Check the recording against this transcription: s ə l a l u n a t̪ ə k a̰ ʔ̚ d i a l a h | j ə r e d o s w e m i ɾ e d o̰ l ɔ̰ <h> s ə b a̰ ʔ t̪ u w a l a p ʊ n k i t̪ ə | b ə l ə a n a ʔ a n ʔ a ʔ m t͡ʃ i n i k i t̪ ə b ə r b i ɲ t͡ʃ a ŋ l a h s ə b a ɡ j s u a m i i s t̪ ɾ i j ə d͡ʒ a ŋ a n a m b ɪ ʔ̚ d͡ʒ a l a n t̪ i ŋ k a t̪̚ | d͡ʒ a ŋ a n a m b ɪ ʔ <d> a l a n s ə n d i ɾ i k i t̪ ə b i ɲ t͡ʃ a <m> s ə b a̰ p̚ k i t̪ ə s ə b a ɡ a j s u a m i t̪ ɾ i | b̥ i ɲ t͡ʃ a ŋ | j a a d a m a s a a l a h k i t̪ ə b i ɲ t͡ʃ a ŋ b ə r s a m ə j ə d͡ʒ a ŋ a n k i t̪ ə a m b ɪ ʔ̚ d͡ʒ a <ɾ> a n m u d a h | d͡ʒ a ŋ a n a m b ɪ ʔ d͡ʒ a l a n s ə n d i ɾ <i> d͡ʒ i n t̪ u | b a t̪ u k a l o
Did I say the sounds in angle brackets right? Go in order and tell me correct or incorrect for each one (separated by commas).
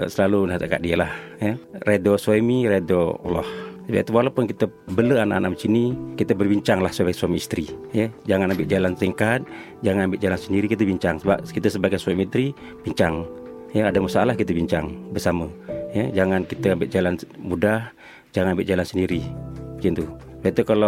correct, incorrect, incorrect, incorrect, correct